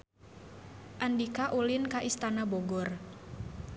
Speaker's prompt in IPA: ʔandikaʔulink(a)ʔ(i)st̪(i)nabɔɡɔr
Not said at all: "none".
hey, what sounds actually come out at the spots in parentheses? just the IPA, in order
a, i, a

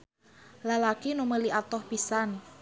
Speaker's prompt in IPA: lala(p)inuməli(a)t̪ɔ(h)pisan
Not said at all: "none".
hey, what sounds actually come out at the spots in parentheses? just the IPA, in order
k, a, h

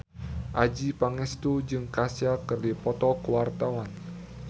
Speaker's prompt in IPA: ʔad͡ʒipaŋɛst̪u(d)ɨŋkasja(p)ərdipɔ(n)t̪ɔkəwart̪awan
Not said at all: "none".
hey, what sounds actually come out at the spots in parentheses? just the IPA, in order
d͡ʒ, k, none

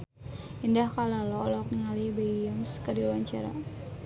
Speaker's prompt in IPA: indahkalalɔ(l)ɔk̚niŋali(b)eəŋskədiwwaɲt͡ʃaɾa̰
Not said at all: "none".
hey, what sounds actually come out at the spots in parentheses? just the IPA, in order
l, b

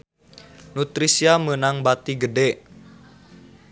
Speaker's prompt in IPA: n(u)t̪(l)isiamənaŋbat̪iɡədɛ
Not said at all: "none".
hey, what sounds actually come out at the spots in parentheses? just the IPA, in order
u, ɾ

